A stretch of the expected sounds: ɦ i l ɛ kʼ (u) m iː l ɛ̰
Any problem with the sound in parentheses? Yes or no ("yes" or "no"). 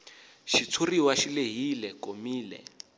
yes